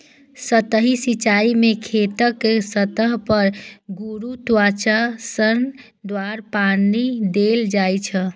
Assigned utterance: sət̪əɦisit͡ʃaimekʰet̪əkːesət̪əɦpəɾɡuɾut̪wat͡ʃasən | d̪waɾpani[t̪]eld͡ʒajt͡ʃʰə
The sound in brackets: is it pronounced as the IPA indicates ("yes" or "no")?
no